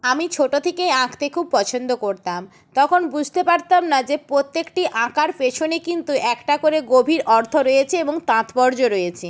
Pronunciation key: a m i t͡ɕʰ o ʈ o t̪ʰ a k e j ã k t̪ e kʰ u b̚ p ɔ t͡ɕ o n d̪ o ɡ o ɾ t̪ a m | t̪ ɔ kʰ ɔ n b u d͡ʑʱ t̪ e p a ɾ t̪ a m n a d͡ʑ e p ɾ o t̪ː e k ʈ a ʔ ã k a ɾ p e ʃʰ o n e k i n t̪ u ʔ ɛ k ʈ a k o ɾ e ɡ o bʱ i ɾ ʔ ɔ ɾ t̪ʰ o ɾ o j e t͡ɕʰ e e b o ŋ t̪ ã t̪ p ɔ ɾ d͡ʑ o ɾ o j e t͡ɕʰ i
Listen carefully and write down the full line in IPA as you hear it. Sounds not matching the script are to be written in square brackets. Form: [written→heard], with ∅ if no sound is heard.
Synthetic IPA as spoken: a m i t͡ɕʰ o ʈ o t̪ʰ [a→e] k e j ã k t̪ e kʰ u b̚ p ɔ [t͡ɕ→t͡ɕʰ] o n d̪ o [ɡ→k] o ɾ t̪ a m | t̪ ɔ kʰ [ɔ→o] n b u d͡ʑʱ t̪ e p a ɾ t̪ a m n a d͡ʑ e p ɾ o t̪ː e k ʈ [a→i] ʔ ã k a ɾ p e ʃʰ o n e k i n t̪ u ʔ ɛ k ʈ a k o ɾ e ɡ o bʱ i ɾ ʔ ɔ ɾ t̪ʰ o ɾ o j e t͡ɕʰ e e b o ŋ t̪ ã t̪ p ɔ ɾ d͡ʑ o ɾ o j e t͡ɕʰ i